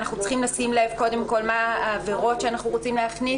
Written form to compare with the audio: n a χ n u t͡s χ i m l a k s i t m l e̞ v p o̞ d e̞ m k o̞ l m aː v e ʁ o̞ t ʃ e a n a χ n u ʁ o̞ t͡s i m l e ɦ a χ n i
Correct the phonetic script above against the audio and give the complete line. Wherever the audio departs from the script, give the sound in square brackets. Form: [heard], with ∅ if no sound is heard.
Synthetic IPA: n a χ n u t͡s χ i m l a [∅] s i [∅] m l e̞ v [k] o̞ d e̞ m k o̞ l m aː v e ʁ o̞ t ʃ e a n a χ n u ʁ o̞ t͡s i m l e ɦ a χ n i